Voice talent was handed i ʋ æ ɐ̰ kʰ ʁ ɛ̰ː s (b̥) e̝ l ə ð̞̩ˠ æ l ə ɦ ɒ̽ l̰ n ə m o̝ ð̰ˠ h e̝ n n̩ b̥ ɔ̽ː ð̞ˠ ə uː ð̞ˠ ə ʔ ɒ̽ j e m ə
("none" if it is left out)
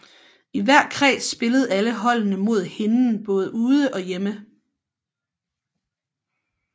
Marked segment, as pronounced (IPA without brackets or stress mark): b̥